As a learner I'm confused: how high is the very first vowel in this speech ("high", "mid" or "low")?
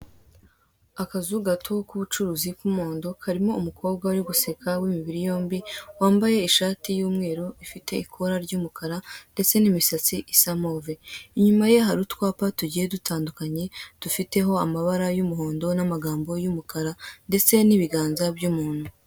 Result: low